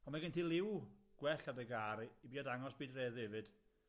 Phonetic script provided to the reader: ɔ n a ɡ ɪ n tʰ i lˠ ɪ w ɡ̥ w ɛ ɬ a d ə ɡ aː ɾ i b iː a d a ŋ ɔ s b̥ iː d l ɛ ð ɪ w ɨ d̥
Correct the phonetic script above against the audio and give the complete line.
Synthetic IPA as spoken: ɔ m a ɡ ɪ n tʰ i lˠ ɪ w ɡ̥ w ɛ ɬ a d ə ɡ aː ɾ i b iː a d a ŋ ɔ s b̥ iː d r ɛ ð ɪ v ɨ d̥